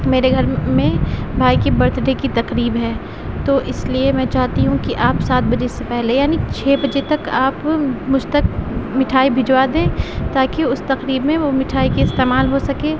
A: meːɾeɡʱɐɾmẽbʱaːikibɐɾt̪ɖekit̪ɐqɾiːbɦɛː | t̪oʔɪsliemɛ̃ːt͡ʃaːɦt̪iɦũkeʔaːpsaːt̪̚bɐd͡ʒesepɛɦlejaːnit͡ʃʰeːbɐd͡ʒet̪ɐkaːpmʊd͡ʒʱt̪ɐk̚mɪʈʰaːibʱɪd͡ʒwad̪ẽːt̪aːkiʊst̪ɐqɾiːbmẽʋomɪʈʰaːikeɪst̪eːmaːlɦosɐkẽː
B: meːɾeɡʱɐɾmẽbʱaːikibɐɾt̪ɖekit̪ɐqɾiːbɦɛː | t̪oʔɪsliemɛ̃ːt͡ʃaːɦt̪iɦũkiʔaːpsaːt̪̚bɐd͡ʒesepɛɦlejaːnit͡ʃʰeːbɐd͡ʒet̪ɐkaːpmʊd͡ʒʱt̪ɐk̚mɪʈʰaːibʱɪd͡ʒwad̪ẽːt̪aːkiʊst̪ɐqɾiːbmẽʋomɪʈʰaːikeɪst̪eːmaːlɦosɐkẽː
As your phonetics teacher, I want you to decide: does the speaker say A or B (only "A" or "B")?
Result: B